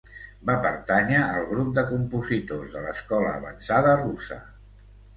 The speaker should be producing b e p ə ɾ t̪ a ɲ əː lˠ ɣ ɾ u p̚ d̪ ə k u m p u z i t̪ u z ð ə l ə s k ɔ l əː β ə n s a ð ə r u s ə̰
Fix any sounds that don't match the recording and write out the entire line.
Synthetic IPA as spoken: b a p ə ɾ t̪ a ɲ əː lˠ ɣ ɾ u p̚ d̪ ə k u m p u z i t̪ o z ð ə l ə s k ɔ l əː β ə n s a ð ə r u s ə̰